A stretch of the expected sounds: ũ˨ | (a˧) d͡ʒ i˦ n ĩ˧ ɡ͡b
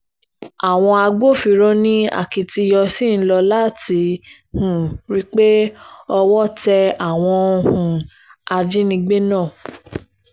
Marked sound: correct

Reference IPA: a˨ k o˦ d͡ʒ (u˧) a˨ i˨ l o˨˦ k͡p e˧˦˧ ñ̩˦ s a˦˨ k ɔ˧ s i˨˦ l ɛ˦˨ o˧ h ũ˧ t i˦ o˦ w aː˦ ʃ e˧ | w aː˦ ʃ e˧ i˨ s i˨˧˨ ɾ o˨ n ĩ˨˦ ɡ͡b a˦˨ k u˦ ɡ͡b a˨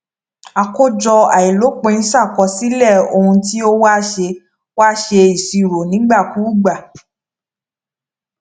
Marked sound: incorrect: ɔ˧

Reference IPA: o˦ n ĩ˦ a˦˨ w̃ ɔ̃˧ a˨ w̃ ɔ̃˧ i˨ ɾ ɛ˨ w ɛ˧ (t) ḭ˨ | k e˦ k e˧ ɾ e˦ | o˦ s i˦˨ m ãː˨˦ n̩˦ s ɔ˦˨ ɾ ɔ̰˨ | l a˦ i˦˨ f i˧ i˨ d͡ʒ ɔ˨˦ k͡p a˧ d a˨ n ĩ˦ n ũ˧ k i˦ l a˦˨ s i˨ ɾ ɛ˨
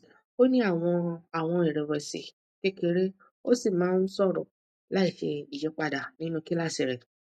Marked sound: incorrect: s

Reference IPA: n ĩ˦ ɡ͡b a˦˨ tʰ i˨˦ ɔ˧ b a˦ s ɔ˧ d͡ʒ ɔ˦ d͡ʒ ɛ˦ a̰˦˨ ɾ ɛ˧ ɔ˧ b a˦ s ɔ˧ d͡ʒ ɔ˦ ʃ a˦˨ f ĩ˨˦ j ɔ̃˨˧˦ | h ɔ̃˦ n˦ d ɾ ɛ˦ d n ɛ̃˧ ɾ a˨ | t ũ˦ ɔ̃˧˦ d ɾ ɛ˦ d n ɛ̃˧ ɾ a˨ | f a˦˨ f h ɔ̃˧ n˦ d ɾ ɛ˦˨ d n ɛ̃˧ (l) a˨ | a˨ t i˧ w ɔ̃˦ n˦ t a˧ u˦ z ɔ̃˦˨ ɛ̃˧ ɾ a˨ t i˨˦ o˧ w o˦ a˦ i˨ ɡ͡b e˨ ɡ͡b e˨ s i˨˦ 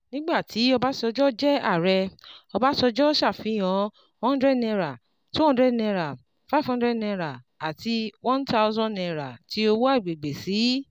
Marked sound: incorrect: ɾ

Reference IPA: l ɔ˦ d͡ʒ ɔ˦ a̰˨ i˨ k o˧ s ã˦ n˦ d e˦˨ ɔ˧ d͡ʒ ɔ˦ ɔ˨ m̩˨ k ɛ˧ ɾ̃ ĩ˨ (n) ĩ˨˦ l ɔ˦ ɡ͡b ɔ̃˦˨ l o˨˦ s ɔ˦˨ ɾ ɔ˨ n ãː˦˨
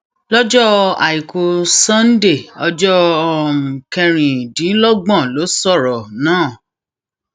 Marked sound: incorrect: d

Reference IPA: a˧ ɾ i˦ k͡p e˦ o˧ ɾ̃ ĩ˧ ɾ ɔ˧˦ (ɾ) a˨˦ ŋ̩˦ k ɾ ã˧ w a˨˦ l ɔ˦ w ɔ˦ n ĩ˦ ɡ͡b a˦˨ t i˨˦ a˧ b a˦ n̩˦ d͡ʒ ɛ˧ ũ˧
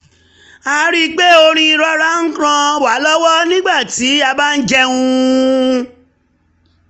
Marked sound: correct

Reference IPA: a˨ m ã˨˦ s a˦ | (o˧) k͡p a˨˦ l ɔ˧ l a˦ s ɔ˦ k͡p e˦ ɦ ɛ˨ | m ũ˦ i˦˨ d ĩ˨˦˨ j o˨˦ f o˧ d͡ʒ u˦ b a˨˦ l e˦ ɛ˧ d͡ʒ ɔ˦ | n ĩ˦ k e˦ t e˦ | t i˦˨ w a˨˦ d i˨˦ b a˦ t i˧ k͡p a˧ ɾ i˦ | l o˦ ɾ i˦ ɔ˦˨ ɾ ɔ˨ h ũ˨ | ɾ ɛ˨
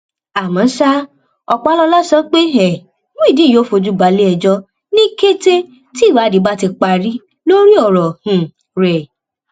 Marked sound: incorrect: ɔ˧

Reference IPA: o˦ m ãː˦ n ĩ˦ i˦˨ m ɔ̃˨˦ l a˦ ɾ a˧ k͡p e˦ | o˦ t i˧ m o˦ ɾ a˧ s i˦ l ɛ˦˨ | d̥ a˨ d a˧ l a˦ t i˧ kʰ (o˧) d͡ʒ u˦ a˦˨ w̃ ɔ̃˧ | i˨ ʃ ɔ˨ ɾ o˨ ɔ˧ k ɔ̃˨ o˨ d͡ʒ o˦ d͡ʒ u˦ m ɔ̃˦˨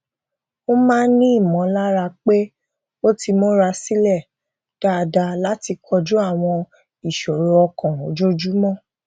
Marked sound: incorrect: ɔ˧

